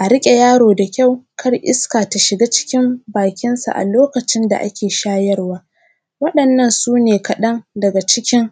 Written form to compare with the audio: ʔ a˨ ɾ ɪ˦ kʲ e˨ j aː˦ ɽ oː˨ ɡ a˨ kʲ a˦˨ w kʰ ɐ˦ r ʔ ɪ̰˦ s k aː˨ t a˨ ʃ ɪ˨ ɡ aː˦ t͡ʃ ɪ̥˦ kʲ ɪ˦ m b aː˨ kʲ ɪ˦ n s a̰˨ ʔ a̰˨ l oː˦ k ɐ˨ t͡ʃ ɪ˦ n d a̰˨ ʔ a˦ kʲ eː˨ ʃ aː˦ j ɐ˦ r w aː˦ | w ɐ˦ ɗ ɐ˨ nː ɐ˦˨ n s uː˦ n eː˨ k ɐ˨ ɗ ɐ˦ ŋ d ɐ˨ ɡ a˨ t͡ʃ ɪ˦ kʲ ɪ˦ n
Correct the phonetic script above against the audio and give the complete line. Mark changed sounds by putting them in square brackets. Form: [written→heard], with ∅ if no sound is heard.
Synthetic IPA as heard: ʔ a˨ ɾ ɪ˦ [kʲ→kʲʼ] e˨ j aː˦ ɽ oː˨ [ɡ→d] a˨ kʲ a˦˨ w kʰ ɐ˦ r ʔ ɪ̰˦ s k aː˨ t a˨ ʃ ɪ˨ ɡ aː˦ t͡ʃ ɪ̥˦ kʲ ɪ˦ m b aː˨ kʲ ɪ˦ n s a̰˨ ʔ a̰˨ l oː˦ k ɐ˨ t͡ʃ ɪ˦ n d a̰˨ ʔ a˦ kʲ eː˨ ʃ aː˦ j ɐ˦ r w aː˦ | w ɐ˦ ɗ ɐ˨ nː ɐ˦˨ n s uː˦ n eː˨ k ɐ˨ ɗ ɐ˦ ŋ d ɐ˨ ɡ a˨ t͡ʃ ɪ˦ kʲ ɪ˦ [n→ŋ]